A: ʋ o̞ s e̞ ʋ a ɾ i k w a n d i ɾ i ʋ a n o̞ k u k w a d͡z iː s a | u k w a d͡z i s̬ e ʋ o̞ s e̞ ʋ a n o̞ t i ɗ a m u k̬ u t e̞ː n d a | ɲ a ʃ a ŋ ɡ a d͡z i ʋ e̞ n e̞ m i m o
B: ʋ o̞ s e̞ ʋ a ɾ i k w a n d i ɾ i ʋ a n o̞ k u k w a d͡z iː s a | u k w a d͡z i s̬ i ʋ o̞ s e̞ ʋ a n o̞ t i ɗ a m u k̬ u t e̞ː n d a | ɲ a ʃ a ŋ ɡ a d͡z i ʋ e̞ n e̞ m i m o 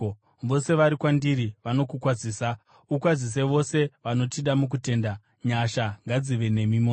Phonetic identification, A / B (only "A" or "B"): A